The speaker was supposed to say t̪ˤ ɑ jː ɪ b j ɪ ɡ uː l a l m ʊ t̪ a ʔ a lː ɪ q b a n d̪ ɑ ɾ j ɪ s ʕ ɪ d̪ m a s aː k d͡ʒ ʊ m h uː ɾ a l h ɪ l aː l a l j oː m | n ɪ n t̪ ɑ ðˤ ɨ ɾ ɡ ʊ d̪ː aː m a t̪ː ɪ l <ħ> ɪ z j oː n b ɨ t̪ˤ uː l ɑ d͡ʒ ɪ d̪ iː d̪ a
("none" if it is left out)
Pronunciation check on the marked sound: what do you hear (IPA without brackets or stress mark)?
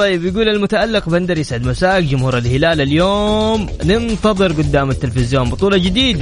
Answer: f